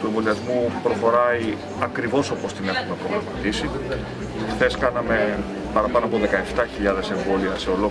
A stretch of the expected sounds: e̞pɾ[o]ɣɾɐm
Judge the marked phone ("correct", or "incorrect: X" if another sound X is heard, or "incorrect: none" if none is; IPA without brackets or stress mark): correct